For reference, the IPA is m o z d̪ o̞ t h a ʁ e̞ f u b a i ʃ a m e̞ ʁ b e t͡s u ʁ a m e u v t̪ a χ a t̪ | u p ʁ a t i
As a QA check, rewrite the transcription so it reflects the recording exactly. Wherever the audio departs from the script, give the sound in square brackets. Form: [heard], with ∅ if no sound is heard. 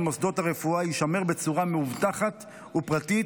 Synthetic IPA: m o [s] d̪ o̞ t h a ʁ e̞ f u [∅] a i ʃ a m e̞ ʁ b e t͡s u ʁ a m e u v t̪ a χ a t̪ | u p ʁ a t i